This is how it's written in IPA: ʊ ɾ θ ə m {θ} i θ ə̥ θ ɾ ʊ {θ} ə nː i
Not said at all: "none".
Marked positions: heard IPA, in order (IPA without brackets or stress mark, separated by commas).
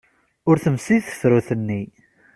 s, θ